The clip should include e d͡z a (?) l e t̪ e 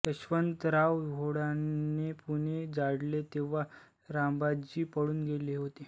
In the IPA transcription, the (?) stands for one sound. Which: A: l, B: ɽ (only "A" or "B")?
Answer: B